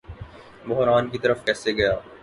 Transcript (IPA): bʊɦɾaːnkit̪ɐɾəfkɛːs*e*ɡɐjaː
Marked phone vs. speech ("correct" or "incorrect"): correct